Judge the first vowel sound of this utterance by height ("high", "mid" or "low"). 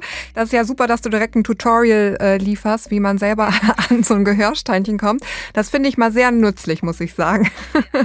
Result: low